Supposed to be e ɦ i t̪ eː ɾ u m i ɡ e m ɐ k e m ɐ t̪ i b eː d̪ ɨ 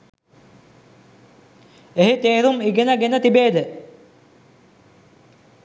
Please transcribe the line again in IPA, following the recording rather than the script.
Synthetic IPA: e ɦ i t̪ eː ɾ u m i ɡ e n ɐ ɡ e n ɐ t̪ i b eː d̪ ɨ

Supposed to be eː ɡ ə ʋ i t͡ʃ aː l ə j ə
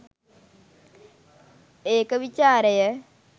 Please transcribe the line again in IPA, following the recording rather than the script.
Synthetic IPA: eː k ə ʋ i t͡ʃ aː ɾ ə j ə

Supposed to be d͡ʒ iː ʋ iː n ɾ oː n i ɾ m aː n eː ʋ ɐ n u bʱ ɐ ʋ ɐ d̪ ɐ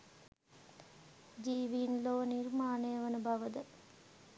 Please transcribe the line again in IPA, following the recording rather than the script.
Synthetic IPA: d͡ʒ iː ʋ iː n l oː n i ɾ m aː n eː ʋ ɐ n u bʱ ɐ ʋ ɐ d̪ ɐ

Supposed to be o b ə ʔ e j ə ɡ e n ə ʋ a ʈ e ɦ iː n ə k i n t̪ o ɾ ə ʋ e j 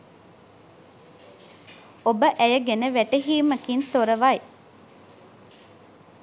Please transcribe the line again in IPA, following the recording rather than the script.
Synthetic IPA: o b ə ʔ æ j ə ɡ e n ə ʋ æ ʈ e ɦ iː m ə k i n t̪ o ɾ ə ʋ a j

